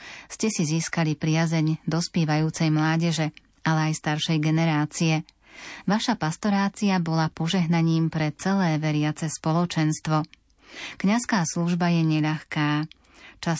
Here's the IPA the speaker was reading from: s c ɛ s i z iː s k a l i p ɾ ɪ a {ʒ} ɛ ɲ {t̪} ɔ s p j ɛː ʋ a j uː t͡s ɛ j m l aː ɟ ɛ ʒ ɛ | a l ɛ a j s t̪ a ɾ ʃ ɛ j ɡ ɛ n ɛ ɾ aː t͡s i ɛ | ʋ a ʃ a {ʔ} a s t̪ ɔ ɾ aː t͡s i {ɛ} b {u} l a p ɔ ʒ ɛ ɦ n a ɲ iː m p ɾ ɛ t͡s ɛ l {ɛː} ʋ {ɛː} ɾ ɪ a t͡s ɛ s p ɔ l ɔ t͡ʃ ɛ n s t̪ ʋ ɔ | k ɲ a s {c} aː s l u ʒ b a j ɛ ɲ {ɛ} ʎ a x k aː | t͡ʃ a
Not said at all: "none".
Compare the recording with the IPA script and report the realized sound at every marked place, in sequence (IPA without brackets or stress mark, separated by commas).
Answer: z, d̪, p, a, ɔ, ɛː, ɛ, k, ɛ